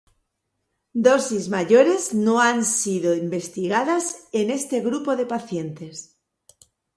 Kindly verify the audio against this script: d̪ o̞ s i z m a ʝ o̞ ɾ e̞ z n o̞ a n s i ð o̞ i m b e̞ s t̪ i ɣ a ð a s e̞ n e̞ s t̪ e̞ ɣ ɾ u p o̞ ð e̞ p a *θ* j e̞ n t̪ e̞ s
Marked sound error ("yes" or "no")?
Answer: no